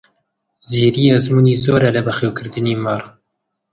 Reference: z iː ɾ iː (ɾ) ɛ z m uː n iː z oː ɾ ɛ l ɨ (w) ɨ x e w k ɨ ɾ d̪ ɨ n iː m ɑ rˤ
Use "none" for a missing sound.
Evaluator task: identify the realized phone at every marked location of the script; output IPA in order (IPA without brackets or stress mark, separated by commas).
none, b